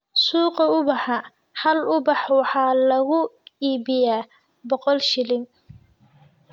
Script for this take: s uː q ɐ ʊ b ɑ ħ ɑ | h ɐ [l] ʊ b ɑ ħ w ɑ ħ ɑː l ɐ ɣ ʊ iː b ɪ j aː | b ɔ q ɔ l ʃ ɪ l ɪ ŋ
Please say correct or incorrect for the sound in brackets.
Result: correct